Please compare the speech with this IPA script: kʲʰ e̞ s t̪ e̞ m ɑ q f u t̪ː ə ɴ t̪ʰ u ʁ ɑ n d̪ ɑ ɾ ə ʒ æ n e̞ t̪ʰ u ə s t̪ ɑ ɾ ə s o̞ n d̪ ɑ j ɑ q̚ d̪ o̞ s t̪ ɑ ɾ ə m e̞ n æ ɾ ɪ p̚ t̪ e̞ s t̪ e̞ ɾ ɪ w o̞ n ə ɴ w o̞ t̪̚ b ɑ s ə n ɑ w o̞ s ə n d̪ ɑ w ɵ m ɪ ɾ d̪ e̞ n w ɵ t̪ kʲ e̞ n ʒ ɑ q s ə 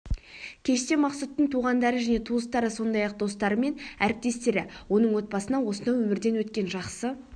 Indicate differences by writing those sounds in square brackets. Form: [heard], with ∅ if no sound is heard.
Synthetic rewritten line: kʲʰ e̞ [ʃ] t̪ e̞ m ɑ q [s] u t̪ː ə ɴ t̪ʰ u ʁ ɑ n d̪ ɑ ɾ ə ʒ æ n e̞ t̪ʰ u ə s t̪ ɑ ɾ ə s o̞ n d̪ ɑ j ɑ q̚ d̪ o̞ s t̪ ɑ ɾ ə m e̞ n æ ɾ ɪ p̚ t̪ e̞ s t̪ e̞ ɾ ɪ w o̞ n ə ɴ w o̞ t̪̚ b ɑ s ə n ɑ w o̞ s ə n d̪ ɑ w ɵ m ɪ ɾ d̪ e̞ n w ɵ t̪ kʲ e̞ n ʒ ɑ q s ə